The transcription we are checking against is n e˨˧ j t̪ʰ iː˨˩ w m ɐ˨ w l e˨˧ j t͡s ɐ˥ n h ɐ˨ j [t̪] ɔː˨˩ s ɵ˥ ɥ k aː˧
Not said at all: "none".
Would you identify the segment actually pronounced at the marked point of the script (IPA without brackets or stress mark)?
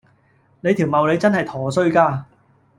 t̪ʰ